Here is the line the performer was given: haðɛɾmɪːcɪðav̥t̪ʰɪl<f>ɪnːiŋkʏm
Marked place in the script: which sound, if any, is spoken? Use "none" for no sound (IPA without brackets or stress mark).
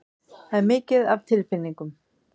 f